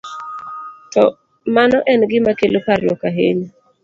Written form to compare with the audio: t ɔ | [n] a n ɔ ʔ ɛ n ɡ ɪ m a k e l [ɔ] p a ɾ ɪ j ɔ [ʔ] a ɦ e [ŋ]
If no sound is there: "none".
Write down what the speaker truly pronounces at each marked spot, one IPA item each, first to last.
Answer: m, o, k, ɲ

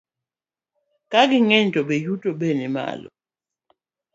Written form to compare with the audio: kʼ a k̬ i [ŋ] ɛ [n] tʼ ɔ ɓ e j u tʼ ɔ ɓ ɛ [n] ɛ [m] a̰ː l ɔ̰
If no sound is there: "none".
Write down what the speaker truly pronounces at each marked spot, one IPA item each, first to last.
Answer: ŋ, n, n, m

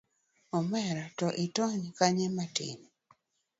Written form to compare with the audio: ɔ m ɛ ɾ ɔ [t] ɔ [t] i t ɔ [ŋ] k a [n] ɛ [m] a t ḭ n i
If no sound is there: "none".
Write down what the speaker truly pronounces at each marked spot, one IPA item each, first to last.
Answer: t, ʔ, ɲ, ɲ, m

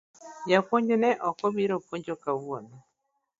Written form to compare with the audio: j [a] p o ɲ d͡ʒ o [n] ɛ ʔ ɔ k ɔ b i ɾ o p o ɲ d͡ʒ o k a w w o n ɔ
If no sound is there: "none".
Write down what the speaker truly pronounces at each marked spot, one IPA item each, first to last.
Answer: a, n

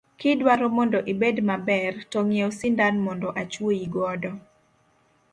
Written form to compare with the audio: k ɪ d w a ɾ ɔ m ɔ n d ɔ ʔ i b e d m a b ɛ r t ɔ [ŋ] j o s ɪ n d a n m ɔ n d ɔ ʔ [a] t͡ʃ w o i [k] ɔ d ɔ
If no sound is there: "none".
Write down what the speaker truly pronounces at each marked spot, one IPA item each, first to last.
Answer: ŋ, a, ɡ

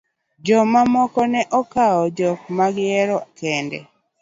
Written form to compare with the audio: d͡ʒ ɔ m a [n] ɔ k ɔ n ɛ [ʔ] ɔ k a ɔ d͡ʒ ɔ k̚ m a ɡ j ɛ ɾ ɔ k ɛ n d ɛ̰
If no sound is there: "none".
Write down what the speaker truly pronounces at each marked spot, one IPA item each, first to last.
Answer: m, ʔ

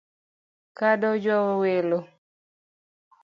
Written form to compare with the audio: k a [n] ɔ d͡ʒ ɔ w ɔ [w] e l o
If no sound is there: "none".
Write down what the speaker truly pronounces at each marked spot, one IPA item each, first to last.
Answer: d, w

